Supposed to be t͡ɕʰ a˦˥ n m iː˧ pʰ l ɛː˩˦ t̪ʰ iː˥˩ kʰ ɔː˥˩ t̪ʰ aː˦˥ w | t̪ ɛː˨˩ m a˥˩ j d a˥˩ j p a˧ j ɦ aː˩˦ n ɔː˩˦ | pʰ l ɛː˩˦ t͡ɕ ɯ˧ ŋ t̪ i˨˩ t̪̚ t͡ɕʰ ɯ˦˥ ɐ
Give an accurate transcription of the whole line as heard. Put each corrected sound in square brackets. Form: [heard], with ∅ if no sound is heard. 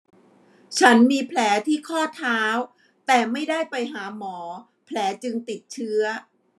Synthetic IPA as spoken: t͡ɕʰ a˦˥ n m iː˧ pʰ l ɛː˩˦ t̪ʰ iː˥˩ kʰ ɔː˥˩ t̪ʰ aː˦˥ w | t̪ ɛː˨˩ m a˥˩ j d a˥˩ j p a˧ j ɦ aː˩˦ [m] ɔː˩˦ | pʰ l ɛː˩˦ t͡ɕ ɯ˧ ŋ t̪ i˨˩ t̪̚ t͡ɕʰ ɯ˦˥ ɐ